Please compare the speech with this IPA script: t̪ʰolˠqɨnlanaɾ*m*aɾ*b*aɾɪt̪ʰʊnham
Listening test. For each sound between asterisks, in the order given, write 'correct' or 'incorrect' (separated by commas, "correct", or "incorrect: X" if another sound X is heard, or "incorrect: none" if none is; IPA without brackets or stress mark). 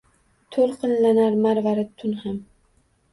correct, incorrect: v